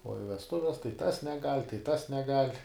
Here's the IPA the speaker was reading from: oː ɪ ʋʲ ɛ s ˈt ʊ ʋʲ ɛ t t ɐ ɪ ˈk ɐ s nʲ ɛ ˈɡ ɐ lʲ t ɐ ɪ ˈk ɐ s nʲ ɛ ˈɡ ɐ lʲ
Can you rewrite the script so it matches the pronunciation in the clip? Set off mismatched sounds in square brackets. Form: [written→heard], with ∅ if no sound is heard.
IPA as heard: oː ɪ ʋʲ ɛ s ˈt ʊ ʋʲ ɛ [t→s] t ɐ ɪ [ˈk→ˈt] ɐ s nʲ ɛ ˈɡ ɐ lʲ t ɐ ɪ [ˈk→ˈt] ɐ s nʲ ɛ ˈɡ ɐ lʲ